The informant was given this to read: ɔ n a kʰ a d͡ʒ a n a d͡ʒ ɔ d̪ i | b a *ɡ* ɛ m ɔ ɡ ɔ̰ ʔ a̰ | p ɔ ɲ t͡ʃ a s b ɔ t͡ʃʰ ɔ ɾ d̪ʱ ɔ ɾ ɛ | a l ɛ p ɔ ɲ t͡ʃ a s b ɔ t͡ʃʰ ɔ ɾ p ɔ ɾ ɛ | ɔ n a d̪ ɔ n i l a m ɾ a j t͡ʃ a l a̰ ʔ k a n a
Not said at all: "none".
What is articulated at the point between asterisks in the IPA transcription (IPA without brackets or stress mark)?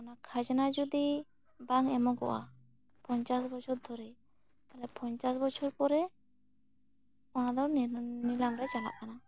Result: ŋ